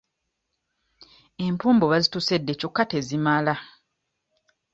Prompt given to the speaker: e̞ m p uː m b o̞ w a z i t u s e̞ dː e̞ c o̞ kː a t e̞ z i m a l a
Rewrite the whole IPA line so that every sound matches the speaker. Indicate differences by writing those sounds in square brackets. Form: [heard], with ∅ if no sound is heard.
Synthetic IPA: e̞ m p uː m b o̞ [β] a z i t u s e̞ dː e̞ c o̞ kː a t e̞ z i m a l a